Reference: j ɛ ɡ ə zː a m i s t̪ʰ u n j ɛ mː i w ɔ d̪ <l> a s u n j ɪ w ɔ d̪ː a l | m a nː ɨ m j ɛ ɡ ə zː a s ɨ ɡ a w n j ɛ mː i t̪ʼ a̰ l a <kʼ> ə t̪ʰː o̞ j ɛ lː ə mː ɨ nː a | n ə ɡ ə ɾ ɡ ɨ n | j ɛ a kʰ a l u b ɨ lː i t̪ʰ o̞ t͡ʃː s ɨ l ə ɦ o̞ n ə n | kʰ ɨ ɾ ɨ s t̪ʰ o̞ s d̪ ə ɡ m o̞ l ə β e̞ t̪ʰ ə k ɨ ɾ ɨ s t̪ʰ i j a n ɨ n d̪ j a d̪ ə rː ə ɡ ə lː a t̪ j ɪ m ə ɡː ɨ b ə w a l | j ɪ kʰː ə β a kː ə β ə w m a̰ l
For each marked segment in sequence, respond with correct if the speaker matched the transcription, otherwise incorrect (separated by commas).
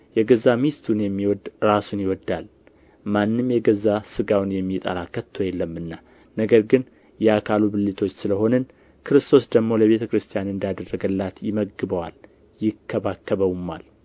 incorrect, incorrect